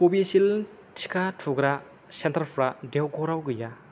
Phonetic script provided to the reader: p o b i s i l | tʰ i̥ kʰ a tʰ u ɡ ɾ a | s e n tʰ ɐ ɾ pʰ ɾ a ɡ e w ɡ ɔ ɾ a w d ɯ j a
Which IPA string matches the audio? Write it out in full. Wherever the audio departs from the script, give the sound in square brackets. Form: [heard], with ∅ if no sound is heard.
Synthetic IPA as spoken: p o b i s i l | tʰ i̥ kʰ a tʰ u ɡ ɾ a | s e n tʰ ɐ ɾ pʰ ɾ a [d] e w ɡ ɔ ɾ a w [ɡ] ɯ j a